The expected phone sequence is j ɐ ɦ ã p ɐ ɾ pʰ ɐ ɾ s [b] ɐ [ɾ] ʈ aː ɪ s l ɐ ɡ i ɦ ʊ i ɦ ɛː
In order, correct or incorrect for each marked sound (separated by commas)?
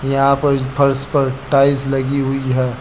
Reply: incorrect, correct